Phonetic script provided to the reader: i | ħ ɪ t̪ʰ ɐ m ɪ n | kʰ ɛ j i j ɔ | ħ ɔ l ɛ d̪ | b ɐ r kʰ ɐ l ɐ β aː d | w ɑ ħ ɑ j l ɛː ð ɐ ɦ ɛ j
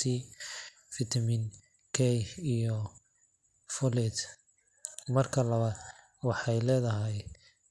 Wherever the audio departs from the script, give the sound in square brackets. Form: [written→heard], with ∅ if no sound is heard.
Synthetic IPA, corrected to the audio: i | [ħ→f] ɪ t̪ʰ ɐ m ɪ n | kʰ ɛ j i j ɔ | [ħ→f] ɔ l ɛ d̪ | [b→m] ɐ r kʰ ɐ l ɐ β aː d | w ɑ ħ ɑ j l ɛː ð ɐ ɦ ɛ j